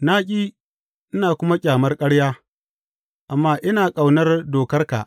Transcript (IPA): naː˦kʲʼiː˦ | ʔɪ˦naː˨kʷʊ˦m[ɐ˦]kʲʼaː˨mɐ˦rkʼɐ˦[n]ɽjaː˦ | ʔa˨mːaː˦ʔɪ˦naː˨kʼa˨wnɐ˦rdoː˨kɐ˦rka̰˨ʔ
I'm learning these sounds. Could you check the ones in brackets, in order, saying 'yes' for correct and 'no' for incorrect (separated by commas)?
no, no